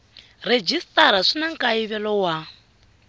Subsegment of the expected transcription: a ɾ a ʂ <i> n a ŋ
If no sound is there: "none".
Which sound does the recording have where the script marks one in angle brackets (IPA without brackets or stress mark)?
i